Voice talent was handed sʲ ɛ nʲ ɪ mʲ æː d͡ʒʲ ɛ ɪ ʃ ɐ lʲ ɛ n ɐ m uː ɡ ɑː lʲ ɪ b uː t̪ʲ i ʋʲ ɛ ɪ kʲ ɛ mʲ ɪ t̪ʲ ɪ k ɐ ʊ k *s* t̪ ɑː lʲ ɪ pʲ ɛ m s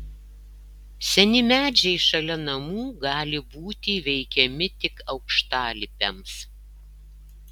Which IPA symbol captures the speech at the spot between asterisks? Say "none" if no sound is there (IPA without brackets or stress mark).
ʃ